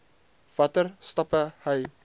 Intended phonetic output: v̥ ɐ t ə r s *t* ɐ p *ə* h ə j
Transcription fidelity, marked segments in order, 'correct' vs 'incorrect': correct, correct

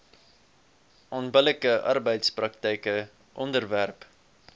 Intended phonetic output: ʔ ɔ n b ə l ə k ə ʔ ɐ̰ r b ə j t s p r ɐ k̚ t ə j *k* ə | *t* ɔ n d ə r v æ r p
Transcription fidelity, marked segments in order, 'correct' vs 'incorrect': correct, incorrect

